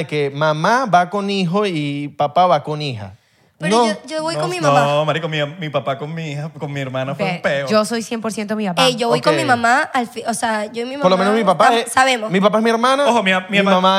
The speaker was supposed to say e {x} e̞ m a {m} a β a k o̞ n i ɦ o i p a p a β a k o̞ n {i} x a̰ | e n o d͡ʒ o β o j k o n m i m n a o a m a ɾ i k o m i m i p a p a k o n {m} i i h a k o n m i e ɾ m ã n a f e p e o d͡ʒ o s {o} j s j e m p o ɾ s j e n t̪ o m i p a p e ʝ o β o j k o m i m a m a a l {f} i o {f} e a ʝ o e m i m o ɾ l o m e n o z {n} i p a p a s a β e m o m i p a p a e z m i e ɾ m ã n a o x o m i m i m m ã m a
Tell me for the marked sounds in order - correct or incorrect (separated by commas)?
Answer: incorrect, correct, correct, correct, correct, correct, incorrect, incorrect